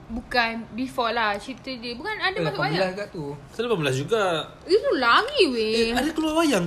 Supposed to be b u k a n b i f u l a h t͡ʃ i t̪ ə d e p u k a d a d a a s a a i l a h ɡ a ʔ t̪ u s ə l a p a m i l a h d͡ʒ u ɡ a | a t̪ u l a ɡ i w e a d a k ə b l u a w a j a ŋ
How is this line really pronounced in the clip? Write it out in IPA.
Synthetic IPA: b u k a n b i f ɔ l a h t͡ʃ i t̪ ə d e b u k a n a d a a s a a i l a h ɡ a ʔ t̪ u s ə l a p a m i l a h d͡ʒ u ɡ a | i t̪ u l a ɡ i w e a d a k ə l u a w a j a ŋ